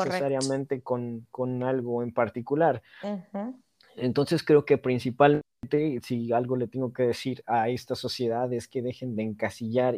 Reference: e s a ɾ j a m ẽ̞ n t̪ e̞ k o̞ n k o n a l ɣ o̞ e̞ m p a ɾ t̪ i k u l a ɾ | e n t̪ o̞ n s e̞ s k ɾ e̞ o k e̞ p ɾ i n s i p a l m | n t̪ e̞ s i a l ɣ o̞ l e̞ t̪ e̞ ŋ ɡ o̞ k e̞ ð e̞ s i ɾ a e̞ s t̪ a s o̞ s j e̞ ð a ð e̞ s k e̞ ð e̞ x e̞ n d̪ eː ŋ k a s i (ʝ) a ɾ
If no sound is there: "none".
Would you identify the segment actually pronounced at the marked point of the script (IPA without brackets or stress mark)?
ʝ